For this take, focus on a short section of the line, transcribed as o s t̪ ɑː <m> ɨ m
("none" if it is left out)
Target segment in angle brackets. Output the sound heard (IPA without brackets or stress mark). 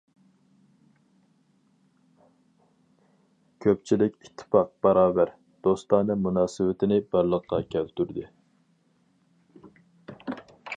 n